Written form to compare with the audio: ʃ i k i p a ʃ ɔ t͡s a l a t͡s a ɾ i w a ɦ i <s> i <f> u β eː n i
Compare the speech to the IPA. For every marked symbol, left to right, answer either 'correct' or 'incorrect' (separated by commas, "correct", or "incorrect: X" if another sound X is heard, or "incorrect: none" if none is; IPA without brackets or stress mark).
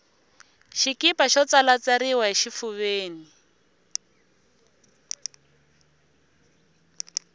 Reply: incorrect: ʃ, correct